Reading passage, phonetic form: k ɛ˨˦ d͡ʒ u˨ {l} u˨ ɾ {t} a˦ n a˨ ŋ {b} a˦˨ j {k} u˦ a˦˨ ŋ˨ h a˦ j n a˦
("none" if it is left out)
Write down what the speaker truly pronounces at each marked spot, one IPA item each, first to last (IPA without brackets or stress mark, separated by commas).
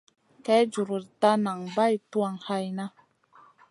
ɾ, t, b, t